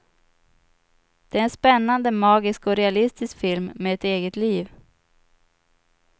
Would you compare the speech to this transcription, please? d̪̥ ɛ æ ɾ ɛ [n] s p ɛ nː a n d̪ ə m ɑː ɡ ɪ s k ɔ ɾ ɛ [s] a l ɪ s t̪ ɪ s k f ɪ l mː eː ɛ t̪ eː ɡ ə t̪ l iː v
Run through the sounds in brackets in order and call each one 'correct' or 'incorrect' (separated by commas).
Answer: correct, incorrect